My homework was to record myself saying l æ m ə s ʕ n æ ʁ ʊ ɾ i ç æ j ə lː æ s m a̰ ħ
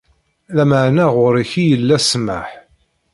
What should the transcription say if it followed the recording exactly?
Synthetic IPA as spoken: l æ m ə ʕ n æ ʁ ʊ ɾ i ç i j ə lː æ s m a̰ ħ